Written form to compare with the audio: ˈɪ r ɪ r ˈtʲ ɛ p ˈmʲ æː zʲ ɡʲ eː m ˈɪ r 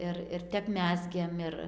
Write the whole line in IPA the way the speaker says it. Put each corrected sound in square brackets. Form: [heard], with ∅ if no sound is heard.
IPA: ˈɪ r ɪ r ˈtʲ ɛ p ˈmʲ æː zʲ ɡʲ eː m ˈɪ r